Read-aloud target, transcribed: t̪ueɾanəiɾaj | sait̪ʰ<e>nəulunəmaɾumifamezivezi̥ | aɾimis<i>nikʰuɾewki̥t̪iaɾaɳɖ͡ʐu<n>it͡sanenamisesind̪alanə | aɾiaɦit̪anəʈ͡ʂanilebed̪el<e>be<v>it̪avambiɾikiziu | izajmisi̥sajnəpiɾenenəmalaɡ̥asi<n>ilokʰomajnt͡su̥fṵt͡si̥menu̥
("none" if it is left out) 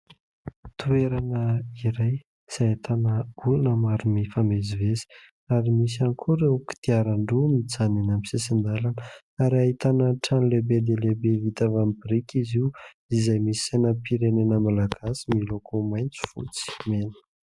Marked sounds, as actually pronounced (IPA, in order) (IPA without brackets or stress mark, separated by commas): a, a, m, e, v, m